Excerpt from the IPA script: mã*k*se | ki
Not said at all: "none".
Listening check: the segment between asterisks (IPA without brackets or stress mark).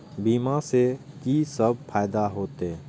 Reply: none